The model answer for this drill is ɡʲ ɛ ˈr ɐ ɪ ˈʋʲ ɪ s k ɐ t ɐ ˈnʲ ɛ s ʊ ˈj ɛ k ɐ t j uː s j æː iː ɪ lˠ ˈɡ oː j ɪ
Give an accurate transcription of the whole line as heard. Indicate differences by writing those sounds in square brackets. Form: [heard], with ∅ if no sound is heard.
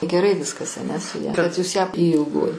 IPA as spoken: ɡʲ ɛ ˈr ɐ ɪ ˈʋʲ ɪ s k ɐ [s] ɐ ˈnʲ ɛ s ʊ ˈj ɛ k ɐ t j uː s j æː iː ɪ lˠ ˈɡ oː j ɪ